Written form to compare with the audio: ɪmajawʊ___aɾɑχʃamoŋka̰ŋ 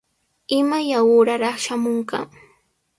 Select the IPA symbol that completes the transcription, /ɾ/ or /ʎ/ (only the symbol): ɾ